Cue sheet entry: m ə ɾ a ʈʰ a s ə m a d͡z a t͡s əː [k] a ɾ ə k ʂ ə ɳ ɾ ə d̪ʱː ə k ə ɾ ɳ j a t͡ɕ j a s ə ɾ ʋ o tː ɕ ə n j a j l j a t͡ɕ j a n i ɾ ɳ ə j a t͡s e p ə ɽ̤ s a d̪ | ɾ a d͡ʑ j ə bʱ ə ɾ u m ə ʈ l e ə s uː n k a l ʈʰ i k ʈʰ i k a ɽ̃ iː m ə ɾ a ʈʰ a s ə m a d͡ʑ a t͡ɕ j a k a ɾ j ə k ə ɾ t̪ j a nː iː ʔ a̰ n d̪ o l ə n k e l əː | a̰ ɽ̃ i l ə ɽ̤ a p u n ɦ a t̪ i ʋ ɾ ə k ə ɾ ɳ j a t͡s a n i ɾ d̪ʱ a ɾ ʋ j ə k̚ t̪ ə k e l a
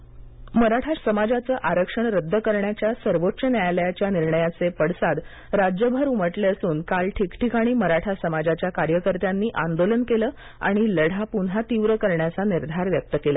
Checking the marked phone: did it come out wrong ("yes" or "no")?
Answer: yes